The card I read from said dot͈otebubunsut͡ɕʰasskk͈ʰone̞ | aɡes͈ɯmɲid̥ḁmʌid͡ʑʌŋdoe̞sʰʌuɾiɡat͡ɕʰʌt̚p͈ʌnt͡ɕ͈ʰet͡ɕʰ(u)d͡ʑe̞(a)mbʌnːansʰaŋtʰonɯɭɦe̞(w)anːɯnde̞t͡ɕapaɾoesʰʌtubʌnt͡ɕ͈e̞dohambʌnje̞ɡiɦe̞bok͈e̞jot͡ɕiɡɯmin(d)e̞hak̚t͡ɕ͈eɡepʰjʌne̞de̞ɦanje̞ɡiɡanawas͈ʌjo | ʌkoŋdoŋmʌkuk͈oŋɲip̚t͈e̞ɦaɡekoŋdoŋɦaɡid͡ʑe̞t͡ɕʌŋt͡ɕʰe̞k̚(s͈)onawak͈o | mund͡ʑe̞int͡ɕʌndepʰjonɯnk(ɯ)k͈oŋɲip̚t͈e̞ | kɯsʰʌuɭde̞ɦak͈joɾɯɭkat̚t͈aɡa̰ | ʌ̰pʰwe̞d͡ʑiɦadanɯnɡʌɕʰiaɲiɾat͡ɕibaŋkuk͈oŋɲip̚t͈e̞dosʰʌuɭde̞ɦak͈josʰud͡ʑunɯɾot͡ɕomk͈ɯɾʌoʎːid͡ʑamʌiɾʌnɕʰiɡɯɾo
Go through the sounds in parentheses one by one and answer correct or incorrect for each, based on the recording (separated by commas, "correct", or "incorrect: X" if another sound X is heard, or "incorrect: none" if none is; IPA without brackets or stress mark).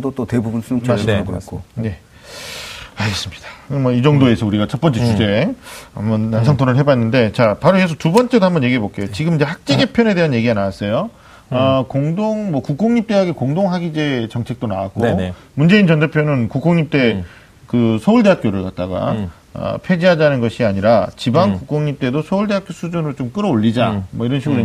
correct, correct, incorrect: b, incorrect: d͡ʑ, incorrect: t͈, incorrect: u